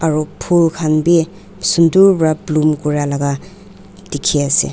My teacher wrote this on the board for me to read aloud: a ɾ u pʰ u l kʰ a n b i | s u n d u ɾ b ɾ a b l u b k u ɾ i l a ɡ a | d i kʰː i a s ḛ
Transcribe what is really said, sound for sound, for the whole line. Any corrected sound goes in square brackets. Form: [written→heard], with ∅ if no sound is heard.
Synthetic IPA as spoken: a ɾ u pʰ u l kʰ a n b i | s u n d u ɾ b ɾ a b l u [b→m] k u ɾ [i→a] l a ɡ a | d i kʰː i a s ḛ